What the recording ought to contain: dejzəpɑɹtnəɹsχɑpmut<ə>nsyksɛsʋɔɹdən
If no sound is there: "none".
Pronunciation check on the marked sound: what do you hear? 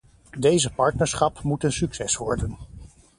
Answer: ə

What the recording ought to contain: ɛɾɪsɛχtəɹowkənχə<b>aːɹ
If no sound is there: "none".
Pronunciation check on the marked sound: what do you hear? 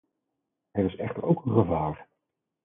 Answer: v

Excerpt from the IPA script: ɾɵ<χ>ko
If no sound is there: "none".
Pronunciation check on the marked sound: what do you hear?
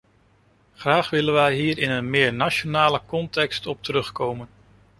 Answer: χ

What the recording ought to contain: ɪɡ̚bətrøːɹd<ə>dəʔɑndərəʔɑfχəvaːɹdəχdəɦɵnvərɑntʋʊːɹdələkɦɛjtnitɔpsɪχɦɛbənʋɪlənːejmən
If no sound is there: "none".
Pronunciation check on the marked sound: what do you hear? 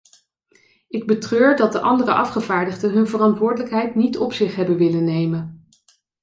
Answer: ɑ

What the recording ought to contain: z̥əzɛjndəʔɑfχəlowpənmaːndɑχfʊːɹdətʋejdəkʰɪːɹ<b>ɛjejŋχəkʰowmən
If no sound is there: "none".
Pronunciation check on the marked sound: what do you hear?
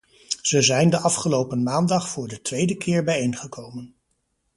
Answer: b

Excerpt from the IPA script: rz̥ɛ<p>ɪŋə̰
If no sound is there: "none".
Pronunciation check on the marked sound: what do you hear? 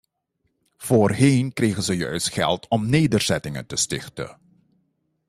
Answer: t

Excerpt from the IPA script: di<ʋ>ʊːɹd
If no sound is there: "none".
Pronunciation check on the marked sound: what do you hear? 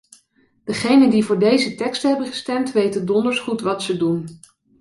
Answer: v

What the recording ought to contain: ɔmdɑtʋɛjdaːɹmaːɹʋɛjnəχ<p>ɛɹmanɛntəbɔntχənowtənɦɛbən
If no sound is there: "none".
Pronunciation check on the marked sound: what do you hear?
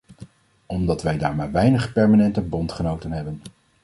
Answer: p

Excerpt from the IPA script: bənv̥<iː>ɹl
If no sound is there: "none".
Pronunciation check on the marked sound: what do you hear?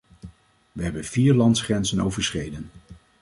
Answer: iː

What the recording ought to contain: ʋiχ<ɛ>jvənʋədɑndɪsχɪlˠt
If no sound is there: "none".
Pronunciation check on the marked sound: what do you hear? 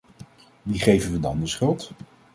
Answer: e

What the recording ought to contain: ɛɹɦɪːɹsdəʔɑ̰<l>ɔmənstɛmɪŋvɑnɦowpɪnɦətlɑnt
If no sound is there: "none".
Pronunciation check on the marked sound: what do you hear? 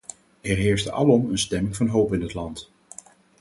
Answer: l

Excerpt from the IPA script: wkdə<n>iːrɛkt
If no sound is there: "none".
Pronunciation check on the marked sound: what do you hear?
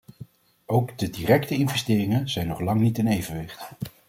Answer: d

